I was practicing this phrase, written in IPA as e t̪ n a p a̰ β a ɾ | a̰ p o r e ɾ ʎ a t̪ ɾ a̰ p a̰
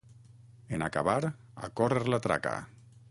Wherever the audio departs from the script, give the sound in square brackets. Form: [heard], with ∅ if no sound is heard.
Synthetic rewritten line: e [∅] n a [k] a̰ β a ɾ | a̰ [k] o r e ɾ [l] a t̪ ɾ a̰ [k] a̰